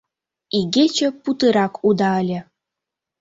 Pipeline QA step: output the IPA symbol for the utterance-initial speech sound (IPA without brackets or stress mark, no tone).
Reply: i